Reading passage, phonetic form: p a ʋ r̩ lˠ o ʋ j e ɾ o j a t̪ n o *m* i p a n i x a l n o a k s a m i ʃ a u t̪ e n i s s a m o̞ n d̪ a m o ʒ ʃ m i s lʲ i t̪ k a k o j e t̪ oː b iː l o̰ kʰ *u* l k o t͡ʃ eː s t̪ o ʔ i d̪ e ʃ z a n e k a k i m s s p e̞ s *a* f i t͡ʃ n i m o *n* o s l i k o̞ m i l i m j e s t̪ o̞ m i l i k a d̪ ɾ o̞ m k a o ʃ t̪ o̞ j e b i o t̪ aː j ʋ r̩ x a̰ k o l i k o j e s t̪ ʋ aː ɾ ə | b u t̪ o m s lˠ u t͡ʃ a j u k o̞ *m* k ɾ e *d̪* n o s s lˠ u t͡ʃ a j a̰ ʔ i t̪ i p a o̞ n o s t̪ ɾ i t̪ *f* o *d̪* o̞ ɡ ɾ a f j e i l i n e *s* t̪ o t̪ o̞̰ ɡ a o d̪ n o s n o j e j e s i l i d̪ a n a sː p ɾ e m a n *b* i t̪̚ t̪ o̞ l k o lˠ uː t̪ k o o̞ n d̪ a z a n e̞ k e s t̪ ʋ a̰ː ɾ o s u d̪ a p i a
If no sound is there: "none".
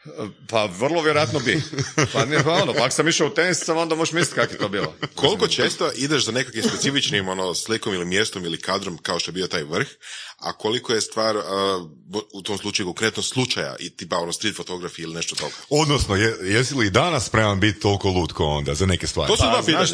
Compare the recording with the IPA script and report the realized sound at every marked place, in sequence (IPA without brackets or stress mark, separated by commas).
b, o, i, n, ŋ, t̪, f, t̪, ʃ, b